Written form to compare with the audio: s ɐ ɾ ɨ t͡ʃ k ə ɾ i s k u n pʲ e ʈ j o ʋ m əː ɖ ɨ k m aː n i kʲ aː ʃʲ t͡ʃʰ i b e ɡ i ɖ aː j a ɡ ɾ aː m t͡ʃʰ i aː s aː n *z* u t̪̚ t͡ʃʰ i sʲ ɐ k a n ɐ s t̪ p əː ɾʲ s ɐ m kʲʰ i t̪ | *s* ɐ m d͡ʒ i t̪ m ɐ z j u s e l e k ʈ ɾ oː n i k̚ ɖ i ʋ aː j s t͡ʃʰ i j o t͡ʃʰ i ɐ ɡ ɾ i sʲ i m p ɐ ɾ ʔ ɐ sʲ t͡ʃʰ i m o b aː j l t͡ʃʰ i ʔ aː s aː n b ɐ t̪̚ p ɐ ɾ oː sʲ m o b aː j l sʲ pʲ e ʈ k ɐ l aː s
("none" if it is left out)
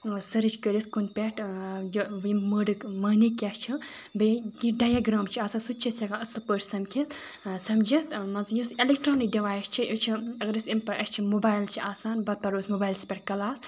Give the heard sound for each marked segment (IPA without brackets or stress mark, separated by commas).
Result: s, s